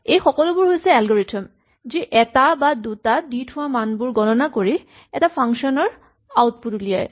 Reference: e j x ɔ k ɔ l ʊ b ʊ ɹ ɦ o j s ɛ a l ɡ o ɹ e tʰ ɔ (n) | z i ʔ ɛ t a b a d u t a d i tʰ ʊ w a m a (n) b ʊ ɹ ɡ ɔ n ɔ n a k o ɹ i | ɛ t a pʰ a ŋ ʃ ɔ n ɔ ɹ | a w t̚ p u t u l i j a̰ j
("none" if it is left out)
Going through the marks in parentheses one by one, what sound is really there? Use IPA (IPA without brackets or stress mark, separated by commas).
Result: m, n